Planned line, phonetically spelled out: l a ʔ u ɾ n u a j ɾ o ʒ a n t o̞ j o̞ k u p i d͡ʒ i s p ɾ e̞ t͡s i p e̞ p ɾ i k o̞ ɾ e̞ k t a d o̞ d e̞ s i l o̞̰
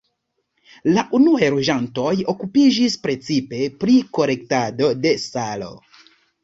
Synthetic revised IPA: l a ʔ u n u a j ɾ o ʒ a n t o̞ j o̞ k u p i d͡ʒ i s p ɾ e̞ t͡s i p e̞ p ɾ i k o̞ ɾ e̞ k t a d o̞ d e̞ s a l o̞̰